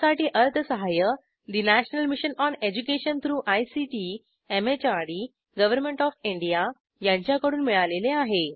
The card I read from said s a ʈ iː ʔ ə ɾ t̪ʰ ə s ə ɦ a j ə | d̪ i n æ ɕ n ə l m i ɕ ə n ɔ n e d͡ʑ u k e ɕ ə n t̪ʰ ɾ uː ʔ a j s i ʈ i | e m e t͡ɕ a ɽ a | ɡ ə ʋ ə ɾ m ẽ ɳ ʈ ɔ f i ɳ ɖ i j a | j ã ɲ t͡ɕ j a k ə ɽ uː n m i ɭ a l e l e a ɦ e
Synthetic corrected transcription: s a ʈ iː ʔ ə ɾ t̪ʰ ə s ə ɦ a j ə | d̪ i n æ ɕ n ə l m i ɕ ə n ɔ n e d͡ʑ u k e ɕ ə n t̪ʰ ɾ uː ʔ a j s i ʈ i | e m e t͡ɕ a ɽ i | ɡ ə ʋ ə ɾ m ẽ ɳ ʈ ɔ f i ɳ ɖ i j a | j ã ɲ t͡ɕ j a k ə ɽ uː n m i ɭ a l e l e a ɦ e

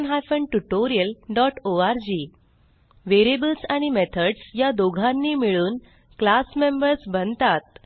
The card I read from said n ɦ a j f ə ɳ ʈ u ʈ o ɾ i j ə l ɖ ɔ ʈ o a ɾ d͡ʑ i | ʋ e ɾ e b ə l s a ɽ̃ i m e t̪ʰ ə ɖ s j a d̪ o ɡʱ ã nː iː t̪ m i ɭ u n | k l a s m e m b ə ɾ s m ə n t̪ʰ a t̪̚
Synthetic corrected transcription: n ɦ a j f ə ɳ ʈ u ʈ o ɾ i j ə l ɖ ɔ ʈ o a ɾ d͡ʑ i | ʋ e ɾ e b ə l s a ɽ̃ i m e t̪ʰ ə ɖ s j a d̪ o ɡʱ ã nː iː m i ɭ uː n | k l a s m e m b ə ɾ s b ə n t̪ a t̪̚

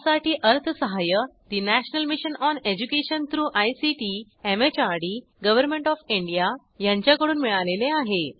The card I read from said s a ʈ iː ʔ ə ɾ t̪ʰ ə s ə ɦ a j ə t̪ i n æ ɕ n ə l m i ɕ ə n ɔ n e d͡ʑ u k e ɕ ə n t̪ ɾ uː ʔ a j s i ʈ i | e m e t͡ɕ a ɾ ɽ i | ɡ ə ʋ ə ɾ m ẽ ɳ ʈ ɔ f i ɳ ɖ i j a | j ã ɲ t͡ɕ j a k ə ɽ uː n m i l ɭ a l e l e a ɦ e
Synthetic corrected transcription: s a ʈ iː ʔ ə ɾ t̪ʰ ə s ə ɦ a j ə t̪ i n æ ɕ n ə l m i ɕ ə n ɔ n e d͡ʑ u k e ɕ ə n t̪ ɾ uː ʔ a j s i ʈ i | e m e t͡ɕ a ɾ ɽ i | ɡ ə ʋ ə ɾ m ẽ ɳ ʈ ɔ f i ɳ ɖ i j a | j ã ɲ t͡ɕ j a k ə ɽ uː n m i ɭ a l e l e a ɦ e

